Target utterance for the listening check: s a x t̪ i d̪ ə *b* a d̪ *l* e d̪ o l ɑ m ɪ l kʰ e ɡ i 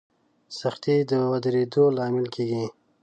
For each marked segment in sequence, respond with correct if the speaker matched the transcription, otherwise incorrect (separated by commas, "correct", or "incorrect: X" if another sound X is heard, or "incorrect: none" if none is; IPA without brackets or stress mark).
incorrect: w, incorrect: ɾ